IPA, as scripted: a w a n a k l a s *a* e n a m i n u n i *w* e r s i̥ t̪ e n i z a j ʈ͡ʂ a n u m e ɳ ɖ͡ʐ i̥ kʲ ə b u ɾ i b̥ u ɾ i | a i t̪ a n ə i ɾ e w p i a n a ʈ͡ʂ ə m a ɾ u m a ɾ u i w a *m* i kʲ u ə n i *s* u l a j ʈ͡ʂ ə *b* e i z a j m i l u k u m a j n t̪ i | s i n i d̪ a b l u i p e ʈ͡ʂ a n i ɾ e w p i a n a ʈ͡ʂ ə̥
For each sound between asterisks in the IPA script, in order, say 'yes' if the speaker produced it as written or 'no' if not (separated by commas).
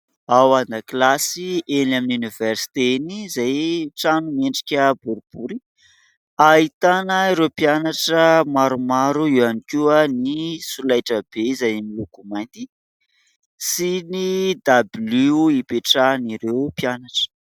no, no, no, yes, yes